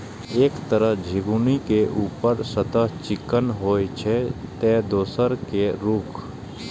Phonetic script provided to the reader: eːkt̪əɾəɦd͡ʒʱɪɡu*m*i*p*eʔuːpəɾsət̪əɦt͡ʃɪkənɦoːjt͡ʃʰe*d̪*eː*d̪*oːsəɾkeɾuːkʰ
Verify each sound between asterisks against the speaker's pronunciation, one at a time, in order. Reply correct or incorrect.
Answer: incorrect: n, incorrect: k, incorrect: t̪, correct

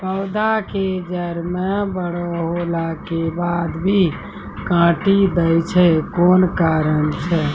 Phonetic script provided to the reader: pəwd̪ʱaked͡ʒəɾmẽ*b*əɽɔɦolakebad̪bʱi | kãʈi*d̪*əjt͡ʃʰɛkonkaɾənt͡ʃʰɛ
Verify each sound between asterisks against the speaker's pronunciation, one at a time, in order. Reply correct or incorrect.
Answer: correct, correct

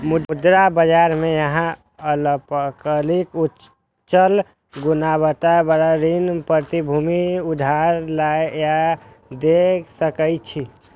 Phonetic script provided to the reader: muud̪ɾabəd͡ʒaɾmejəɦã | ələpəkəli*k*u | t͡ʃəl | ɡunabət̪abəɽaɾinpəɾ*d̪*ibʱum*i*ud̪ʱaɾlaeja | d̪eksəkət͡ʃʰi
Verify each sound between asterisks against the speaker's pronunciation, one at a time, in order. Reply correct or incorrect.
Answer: correct, incorrect: t̪, correct

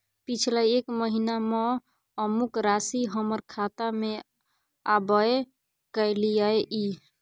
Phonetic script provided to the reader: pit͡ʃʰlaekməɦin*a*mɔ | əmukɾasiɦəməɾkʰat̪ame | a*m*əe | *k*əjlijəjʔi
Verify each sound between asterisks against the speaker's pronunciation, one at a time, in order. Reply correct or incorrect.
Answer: correct, incorrect: b, correct

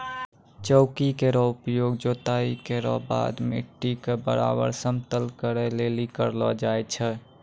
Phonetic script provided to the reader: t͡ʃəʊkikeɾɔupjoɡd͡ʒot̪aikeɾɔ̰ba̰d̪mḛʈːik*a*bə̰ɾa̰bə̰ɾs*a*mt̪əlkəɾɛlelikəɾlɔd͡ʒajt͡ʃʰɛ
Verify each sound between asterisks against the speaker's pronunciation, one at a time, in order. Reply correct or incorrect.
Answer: incorrect: e, incorrect: ə

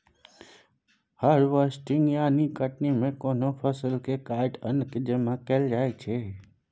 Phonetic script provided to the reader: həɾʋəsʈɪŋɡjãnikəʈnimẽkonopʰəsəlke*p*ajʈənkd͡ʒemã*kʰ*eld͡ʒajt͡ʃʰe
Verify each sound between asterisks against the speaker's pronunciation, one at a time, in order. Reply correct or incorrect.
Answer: incorrect: k, incorrect: k

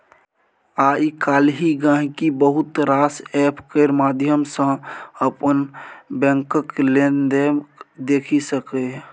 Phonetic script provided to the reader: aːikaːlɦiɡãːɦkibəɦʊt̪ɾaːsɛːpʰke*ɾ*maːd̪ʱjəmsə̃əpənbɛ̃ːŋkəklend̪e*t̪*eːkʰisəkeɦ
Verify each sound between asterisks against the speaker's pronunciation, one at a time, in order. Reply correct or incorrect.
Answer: correct, incorrect: d̪

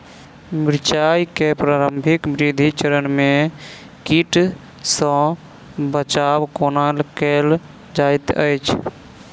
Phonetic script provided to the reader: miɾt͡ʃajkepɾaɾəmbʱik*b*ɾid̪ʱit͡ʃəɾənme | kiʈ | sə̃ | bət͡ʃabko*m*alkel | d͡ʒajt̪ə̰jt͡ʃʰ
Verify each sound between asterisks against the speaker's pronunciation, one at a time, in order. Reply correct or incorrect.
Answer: correct, incorrect: n

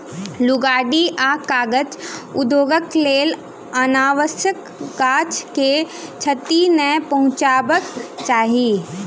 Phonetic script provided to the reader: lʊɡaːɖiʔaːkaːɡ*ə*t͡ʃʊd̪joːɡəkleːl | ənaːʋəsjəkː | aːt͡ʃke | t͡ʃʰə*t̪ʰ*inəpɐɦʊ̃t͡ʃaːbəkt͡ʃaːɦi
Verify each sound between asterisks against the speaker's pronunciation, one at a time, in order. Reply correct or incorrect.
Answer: correct, incorrect: t̪

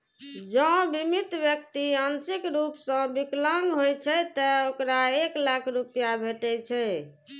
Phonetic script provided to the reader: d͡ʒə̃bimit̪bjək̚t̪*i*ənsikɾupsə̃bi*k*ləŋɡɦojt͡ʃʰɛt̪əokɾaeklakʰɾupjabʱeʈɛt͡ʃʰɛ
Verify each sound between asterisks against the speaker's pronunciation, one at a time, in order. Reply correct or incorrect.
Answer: correct, correct

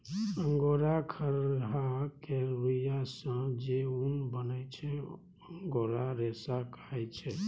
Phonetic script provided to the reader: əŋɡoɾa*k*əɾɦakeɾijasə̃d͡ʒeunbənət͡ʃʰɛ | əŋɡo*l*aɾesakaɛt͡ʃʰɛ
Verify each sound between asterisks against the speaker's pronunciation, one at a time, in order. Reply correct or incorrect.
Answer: incorrect: kʰ, incorrect: ɾ

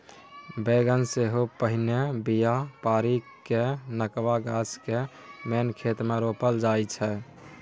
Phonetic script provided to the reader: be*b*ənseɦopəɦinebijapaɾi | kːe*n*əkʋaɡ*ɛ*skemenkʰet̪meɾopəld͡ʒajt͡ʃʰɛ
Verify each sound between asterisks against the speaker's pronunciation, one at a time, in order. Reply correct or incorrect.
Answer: incorrect: ɡ, correct, incorrect: a

